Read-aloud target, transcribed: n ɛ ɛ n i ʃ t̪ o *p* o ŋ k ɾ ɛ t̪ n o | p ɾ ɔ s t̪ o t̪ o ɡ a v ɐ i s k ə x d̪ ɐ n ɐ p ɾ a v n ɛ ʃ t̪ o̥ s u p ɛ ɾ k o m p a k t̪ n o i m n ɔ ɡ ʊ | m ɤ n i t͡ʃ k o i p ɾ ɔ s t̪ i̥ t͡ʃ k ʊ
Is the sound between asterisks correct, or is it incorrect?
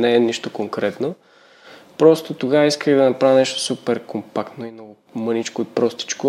incorrect